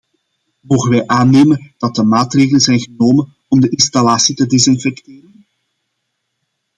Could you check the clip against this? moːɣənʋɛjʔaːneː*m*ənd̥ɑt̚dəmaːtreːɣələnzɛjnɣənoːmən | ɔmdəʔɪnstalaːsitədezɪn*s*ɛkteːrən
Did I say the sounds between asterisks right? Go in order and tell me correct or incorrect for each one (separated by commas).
correct, incorrect